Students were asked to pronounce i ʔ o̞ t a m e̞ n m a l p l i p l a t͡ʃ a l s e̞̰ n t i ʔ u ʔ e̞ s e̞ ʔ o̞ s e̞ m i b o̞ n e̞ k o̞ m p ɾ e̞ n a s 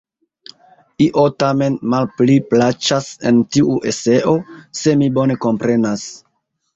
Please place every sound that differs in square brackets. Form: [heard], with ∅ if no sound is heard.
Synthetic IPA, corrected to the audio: i ʔ o̞ t a m e̞ n m a l p l i p l a t͡ʃ a [∅] s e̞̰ n t i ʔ u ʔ e̞ s e̞ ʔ o̞ s e̞ m i b o̞ n e̞ k o̞ m p ɾ e̞ n a s